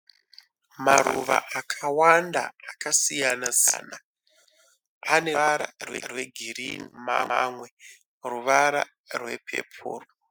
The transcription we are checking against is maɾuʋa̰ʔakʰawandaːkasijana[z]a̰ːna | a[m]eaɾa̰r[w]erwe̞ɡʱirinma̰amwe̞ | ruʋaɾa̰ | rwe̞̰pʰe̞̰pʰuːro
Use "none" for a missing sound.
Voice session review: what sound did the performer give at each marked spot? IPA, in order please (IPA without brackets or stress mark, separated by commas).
z, n, w